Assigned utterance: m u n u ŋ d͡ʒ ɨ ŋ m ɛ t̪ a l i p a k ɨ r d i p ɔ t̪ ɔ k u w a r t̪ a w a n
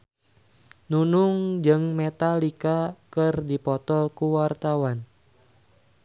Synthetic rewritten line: n u n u ŋ d͡ʒ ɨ ŋ m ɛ t̪ a l i k a k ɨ r d i p ɔ t̪ ɔ k u w a r t̪ a w a n